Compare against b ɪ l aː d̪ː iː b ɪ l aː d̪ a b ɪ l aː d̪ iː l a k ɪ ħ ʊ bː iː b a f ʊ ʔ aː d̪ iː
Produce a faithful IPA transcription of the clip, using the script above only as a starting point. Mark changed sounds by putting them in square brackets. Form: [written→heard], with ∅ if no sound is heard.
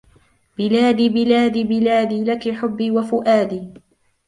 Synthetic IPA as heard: b ɪ l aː [d̪ː→d̪] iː b ɪ l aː d̪ [a→i] b ɪ l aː d̪ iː l a k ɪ ħ ʊ bː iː [b→w] a f ʊ ʔ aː d̪ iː